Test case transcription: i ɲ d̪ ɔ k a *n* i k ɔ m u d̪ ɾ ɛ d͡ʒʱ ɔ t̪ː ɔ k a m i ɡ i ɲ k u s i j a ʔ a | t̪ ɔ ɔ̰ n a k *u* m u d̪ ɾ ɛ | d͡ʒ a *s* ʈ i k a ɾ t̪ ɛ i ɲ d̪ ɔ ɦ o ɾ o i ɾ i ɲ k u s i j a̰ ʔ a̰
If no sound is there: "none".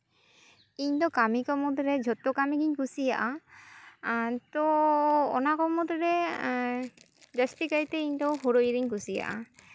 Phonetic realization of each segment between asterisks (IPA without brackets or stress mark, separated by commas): m, ɔ, s